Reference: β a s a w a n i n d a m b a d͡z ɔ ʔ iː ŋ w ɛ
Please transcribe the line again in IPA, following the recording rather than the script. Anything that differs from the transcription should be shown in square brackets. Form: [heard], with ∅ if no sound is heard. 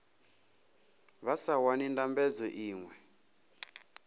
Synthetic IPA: β a s a w a n i n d a m b [ɛ] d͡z ɔ ʔ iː ŋ w ɛ